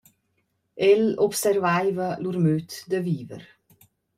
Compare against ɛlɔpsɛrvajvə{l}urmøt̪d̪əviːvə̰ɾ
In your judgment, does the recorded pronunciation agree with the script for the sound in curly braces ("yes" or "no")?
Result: yes